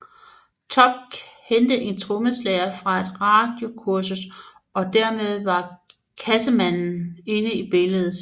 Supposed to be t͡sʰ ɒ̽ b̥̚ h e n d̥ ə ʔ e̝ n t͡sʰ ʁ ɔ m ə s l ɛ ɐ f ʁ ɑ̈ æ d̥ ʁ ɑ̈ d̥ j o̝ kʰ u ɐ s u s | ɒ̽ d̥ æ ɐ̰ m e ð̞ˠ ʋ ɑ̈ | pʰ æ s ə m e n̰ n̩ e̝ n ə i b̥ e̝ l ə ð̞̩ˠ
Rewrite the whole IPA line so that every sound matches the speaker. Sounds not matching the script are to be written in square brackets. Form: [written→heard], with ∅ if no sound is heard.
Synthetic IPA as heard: t͡sʰ ɒ̽ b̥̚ h e n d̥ ə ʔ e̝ n t͡sʰ ʁ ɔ m ə s l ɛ ɐ f ʁ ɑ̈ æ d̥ ʁ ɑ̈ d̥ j o̝ kʰ u ɐ s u s | ɒ̽ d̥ æ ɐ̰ m e ð̞ˠ ʋ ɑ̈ | [pʰ→kʰ] æ s ə m [e→æ] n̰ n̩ e̝ n ə i b̥ e̝ l ə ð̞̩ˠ